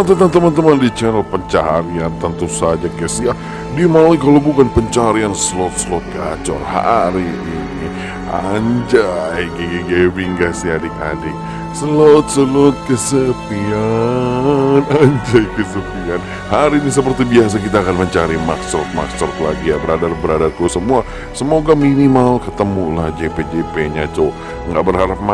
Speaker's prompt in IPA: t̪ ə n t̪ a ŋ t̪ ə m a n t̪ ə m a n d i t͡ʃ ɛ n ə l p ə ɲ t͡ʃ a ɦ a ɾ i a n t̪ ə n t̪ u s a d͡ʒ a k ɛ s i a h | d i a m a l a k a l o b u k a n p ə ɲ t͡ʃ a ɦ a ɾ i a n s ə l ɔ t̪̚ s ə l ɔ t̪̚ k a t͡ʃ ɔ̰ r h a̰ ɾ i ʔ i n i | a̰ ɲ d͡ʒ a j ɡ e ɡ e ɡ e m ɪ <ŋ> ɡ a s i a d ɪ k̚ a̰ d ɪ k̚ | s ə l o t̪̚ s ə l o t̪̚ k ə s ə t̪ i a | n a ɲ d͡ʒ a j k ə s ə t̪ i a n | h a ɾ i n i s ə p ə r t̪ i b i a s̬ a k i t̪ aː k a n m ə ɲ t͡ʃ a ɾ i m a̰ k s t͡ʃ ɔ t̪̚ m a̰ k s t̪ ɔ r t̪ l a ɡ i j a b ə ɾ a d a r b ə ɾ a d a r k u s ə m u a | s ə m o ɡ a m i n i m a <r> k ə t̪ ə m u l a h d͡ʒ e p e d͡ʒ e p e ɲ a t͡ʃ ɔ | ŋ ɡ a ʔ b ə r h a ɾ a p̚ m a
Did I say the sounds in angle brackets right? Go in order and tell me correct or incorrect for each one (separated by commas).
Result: correct, incorrect